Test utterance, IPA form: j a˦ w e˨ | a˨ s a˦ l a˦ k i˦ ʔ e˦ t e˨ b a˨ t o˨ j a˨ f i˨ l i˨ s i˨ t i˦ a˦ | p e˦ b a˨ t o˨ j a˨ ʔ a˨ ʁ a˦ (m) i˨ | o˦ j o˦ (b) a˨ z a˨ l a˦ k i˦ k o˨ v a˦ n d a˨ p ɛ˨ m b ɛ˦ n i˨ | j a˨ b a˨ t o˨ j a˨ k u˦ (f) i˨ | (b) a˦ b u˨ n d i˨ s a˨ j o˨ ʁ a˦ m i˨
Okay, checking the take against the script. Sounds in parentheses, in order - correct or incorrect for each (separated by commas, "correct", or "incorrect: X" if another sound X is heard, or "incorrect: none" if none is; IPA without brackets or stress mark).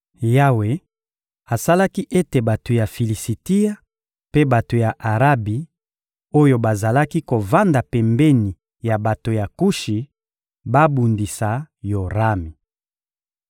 incorrect: b, correct, incorrect: ʃ, correct